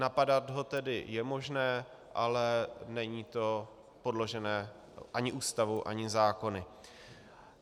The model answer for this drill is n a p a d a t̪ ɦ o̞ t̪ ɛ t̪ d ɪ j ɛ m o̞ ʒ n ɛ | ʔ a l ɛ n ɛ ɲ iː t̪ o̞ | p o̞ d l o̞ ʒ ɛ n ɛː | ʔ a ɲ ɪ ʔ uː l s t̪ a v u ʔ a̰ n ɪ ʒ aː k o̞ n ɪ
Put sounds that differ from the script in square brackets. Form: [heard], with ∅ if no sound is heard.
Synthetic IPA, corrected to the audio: n a p a d a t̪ ɦ o̞ t̪ ɛ [∅] d ɪ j ɛ m o̞ ʒ n [ɛː] | ʔ a l ɛ n ɛ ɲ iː t̪ o̞ | p o̞ d l o̞ ʒ ɛ n ɛː | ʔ a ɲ ɪ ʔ uː [∅] s t̪ a v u ʔ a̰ [ɲ] ɪ [z] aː k o̞ n ɪ

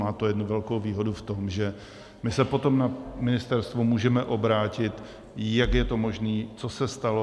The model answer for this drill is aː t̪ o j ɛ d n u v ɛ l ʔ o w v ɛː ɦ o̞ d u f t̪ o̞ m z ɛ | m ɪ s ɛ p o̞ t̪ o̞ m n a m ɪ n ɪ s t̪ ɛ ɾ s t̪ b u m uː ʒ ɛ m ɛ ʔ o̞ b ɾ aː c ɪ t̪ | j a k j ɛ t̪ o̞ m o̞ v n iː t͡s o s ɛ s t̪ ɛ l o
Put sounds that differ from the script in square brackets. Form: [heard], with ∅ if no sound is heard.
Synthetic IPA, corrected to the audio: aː t̪ o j ɛ d n u v ɛ l [k] o w v [iː] ɦ o̞ d u f t̪ o̞ m [ʒ] ɛ | m ɪ s ɛ p o̞ t̪ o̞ m n a m ɪ n ɪ s t̪ ɛ ɾ s t̪ [v] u m uː ʒ ɛ m ɛ ʔ o̞ b ɾ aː c ɪ t̪ | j a k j ɛ t̪ o̞ m o̞ [ʒ] n iː t͡s o s ɛ s t̪ [a] l o

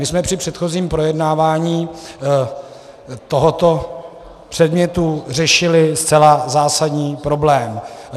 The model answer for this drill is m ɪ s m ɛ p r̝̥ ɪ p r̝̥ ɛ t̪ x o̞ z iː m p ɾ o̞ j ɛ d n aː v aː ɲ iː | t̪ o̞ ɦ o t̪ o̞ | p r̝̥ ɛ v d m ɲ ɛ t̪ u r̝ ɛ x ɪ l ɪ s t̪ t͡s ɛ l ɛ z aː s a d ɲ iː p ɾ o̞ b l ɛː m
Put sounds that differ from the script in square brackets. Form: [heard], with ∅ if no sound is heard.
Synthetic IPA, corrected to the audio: m ɪ s m ɛ p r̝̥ ɪ p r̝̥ ɛ t̪ x o̞ z iː m p ɾ o̞ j ɛ d n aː v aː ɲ iː | t̪ o̞ ɦ o t̪ o̞ | p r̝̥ ɛ [∅] d m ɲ ɛ t̪ u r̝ ɛ [ʃ] ɪ l ɪ s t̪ t͡s ɛ l [a] z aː s a d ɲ iː p ɾ o̞ b l ɛː m

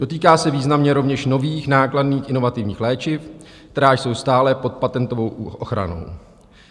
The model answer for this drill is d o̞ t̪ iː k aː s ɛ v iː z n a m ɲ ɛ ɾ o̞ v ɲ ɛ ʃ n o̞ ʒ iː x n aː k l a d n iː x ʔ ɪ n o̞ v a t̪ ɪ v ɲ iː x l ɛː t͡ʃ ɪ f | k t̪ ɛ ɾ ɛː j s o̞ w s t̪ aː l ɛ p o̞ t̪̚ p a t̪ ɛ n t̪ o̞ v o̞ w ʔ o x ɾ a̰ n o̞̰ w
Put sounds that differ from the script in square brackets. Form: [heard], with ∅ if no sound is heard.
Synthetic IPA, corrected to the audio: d o̞ t̪ iː k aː s ɛ v iː z n a m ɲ ɛ ɾ o̞ v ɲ ɛ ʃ n o̞ [v] iː x n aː k l a d n iː x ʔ ɪ n o̞ v a t̪ ɪ v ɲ iː x l ɛː t͡ʃ ɪ f | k t̪ ɛ ɾ [aː] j s o̞ w s t̪ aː l ɛ p o̞ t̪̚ p a t̪ ɛ n t̪ o̞ v o̞ w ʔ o x ɾ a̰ n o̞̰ w

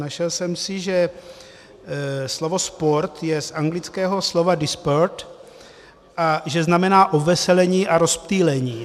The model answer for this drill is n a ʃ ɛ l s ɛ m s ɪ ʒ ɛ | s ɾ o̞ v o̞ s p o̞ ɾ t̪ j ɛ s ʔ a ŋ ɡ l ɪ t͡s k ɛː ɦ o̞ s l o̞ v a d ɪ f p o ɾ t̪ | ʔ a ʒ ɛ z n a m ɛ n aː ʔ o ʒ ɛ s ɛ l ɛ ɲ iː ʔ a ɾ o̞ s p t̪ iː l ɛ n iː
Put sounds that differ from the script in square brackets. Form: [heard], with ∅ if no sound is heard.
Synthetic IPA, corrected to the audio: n a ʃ ɛ l s ɛ m s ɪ ʒ ɛ | s [l] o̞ v o̞ s p o̞ ɾ t̪ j ɛ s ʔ a ŋ ɡ l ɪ t͡s k ɛː ɦ o̞ s l o̞ v a d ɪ [s] p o ɾ t̪ | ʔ a ʒ ɛ z n a m ɛ n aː ʔ o [v] ɛ s ɛ l ɛ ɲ iː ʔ a ɾ o̞ s p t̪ iː l ɛ [ɲ] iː

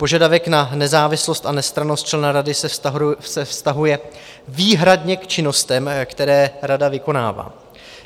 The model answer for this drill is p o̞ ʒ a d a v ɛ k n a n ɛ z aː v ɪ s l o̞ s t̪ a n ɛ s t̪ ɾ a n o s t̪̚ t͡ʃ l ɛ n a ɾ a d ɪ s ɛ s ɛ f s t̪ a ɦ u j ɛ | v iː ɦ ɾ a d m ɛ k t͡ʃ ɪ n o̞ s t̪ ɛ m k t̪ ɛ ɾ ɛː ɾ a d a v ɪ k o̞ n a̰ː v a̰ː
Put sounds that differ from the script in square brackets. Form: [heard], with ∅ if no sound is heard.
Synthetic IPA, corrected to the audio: p o̞ ʒ a d a v ɛ k n a n ɛ z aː v ɪ s l o̞ s t̪ a n ɛ s t̪ ɾ a n o s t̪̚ t͡ʃ l ɛ n a ɾ a d ɪ s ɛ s ɛ f s t̪ a ɦ u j ɛ | v iː ɦ ɾ a d [ɲ] ɛ k t͡ʃ ɪ n o̞ s t̪ ɛ m k t̪ ɛ ɾ ɛː ɾ a d a v ɪ k o̞ n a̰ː v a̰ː

